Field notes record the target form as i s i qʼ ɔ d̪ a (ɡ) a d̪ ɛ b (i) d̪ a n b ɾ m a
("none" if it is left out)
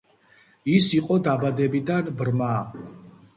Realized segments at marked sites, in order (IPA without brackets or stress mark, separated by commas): b, i